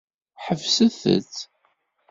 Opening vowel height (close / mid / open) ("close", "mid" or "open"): mid